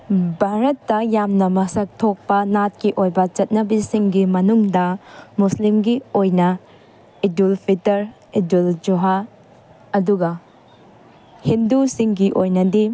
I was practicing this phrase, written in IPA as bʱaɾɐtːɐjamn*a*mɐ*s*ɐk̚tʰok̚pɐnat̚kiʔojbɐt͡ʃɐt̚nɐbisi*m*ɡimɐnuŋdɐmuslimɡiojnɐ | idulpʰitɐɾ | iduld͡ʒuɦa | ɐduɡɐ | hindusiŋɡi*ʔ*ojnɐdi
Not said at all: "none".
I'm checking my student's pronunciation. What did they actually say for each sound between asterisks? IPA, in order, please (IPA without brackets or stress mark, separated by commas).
ɐ, s, ŋ, ʔ